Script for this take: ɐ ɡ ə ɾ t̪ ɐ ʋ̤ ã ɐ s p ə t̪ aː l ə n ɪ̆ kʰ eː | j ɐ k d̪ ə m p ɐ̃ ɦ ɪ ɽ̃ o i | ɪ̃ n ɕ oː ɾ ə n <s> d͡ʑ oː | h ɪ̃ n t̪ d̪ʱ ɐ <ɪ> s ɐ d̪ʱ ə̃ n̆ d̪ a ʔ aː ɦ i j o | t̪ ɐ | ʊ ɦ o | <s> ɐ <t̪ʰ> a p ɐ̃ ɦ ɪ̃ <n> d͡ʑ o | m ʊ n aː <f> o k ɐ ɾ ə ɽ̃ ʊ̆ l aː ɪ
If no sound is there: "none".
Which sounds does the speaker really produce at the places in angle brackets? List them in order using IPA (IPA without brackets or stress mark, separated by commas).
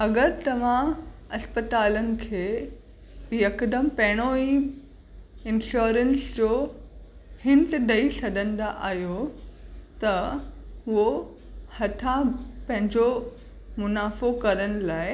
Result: s, i, h, t̪ʰ, ɲ, f